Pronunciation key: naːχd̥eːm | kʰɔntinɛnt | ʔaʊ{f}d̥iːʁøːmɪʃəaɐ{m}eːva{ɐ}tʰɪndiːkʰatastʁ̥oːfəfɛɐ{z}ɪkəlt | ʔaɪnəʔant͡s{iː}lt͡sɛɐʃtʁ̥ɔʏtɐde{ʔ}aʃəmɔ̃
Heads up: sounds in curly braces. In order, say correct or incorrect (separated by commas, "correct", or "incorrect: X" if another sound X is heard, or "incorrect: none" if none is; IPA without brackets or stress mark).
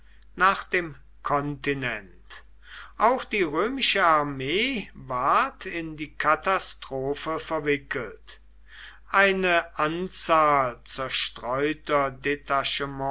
incorrect: x, correct, correct, incorrect: v, incorrect: aː, incorrect: t